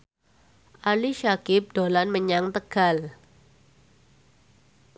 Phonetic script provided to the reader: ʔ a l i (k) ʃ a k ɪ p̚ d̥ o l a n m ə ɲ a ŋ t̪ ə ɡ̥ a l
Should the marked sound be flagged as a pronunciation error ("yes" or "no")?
yes